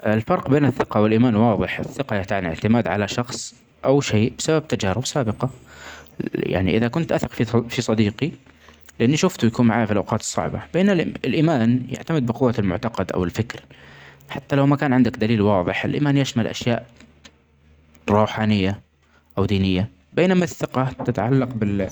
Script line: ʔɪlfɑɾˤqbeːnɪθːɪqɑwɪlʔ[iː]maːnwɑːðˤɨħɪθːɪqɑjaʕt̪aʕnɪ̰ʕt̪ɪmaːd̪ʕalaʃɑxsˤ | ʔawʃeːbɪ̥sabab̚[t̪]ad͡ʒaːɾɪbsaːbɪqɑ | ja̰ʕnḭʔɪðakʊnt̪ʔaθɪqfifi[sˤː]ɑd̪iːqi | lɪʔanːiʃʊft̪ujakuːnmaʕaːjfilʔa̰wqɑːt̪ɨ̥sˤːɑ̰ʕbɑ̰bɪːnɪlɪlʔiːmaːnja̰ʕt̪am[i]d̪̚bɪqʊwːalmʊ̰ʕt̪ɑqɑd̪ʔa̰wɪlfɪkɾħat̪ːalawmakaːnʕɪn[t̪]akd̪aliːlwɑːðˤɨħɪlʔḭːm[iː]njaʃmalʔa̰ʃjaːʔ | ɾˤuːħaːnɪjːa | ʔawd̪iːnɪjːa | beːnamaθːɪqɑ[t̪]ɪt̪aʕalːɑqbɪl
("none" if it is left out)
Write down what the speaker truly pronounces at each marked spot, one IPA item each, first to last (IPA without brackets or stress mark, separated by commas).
iː, t̪, sˤ, ɪ, d̪, aː, t̪